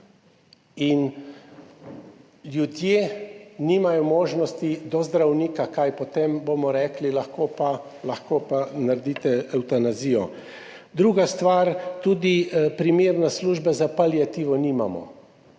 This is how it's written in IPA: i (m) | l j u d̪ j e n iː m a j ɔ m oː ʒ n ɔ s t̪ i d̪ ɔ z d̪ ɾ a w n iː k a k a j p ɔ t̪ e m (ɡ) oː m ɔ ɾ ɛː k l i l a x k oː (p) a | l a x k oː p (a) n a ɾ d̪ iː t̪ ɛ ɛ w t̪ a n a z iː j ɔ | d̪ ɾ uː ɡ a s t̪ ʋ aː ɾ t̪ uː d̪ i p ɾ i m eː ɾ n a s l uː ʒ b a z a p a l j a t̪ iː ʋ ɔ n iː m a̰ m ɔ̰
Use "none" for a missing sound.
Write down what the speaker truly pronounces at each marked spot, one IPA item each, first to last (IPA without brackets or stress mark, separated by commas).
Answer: n, b, p, a